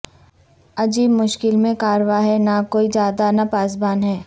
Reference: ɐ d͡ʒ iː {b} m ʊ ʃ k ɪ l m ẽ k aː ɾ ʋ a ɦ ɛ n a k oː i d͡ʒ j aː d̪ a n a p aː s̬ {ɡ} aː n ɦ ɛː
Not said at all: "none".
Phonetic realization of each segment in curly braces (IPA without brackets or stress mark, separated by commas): b, b